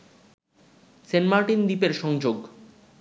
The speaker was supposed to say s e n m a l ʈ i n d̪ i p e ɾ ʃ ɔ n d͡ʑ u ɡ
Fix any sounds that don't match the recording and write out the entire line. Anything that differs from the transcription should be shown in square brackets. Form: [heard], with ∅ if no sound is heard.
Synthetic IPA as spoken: s e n m a [ɾ] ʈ i n d̪ i p e ɾ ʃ ɔ [ŋ] d͡ʑ [o] ɡ